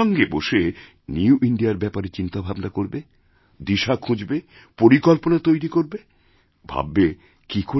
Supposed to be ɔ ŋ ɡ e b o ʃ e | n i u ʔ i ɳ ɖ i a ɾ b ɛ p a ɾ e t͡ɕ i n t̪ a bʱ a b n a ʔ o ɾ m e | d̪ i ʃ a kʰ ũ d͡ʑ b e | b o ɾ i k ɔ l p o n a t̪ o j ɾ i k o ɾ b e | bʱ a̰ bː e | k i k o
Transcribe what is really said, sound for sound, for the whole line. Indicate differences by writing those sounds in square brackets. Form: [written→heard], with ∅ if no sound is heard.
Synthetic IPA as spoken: ɔ ŋ ɡ e b o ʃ e | n i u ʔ i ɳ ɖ i a ɾ b ɛ p a ɾ e t͡ɕ i n t̪ a bʱ a b n a [ʔ→k] o ɾ [m→b] e | d̪ i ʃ a kʰ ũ d͡ʑ b e | [b→p] o ɾ i k ɔ l p o n a t̪ o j ɾ i k o ɾ b e | bʱ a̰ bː e | k i k o